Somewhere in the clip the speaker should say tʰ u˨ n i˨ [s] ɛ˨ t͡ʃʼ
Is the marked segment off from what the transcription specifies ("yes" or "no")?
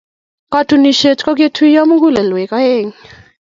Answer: yes